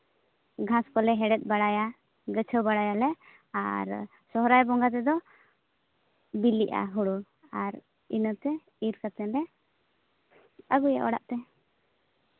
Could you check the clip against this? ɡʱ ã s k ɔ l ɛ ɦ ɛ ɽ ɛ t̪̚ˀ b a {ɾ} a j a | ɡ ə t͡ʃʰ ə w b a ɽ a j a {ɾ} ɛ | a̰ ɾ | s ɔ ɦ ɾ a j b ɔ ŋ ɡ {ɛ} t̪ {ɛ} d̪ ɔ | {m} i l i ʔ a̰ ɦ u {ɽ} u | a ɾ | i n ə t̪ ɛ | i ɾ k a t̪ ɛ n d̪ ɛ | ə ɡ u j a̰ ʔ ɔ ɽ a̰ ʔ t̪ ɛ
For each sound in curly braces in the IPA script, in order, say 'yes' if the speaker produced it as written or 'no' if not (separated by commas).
no, no, no, yes, no, yes